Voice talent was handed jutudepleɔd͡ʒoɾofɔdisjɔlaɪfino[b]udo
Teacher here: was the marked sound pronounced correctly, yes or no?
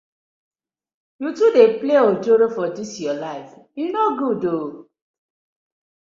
no